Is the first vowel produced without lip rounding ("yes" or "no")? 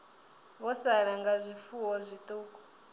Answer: no